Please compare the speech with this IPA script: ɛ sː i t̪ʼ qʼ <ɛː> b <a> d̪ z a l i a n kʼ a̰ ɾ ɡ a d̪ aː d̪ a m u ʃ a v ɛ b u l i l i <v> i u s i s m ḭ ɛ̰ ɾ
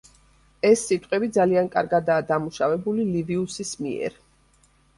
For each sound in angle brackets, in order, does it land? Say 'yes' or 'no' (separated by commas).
no, no, yes